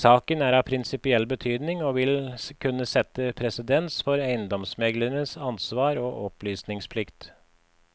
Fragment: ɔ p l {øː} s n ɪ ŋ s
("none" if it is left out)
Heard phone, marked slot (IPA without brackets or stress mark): yː